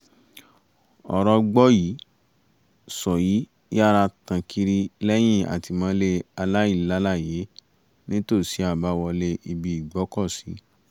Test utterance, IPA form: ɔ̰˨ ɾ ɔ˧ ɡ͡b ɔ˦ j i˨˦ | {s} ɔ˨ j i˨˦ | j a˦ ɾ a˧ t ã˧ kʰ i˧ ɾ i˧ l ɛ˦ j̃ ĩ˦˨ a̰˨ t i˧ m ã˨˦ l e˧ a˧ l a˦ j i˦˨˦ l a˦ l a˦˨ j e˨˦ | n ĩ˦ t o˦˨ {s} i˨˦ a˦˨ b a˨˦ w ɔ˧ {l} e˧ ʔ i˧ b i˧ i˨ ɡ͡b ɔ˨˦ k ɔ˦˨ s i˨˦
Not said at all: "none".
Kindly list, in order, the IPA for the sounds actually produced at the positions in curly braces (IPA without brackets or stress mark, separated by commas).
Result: s, s, l